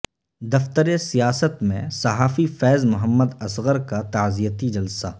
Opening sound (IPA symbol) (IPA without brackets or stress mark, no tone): d̪